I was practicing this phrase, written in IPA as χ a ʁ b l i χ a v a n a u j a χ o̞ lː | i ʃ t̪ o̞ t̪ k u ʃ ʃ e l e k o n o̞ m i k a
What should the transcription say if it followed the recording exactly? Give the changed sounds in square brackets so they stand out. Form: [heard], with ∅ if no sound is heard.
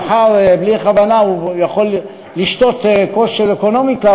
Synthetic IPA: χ a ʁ b l i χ a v a n a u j a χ o̞ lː | i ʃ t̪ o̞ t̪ k [o] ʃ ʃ e l e k o n o̞ m i k a